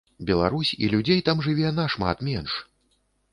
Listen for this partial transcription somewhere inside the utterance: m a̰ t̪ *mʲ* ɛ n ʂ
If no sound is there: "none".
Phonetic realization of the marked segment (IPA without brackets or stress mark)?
mʲ